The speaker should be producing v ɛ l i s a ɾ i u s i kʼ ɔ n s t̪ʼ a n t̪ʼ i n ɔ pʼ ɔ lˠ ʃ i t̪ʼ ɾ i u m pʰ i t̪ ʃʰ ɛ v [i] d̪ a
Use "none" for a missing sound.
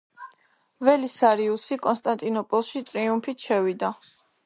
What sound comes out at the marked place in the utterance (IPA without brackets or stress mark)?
i